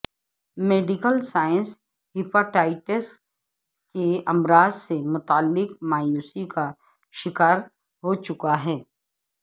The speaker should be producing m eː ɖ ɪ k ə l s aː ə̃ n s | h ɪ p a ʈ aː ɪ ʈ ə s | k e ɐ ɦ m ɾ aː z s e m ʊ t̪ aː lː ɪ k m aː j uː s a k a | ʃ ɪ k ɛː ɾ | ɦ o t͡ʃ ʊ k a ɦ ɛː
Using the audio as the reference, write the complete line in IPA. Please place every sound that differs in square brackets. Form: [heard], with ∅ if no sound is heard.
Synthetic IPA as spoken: m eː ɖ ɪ k ə l s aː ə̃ n s | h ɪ p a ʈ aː ɪ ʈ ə s | k e ɐ [∅] m ɾ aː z s e m ʊ t̪ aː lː ɪ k m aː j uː s [i] k a | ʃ ɪ k [aː] ɾ | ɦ o t͡ʃ ʊ k a ɦ ɛː